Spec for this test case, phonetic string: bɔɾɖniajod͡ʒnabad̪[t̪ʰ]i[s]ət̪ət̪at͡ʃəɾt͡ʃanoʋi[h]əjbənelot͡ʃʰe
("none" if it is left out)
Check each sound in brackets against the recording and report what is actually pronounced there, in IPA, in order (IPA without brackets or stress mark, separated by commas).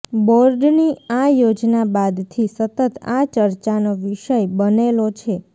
t̪ʰ, s, ʃ